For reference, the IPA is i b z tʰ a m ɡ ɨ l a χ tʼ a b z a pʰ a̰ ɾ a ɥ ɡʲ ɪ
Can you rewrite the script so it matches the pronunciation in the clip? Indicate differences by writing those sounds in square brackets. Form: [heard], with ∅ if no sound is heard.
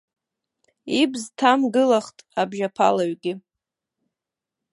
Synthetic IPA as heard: i b z tʰ a m ɡ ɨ l a χ tʼ a b [ʒ] a pʰ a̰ [l] a ɥ ɡʲ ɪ